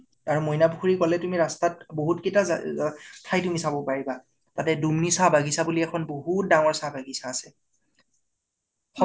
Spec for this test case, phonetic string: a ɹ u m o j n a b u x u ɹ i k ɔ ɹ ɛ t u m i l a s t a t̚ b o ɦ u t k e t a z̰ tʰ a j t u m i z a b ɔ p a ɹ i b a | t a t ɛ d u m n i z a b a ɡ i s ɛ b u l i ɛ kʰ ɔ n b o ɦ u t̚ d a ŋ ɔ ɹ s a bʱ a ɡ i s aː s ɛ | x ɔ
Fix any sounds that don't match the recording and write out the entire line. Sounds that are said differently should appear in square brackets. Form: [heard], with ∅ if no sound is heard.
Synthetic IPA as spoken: a ɹ u m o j n a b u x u ɹ i k ɔ [l] ɛ t u m i [ɹ] a s t a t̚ b o ɦ u t k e t a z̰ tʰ a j t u m i [s] a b ɔ p a ɹ i b a | t a t ɛ d u m n i [s] a b a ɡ i s [a] b u l i ɛ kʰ ɔ n b o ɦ u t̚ d a ŋ ɔ ɹ s a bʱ a ɡ i s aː s ɛ | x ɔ